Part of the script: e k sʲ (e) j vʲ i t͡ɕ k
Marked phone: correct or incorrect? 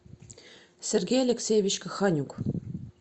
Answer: correct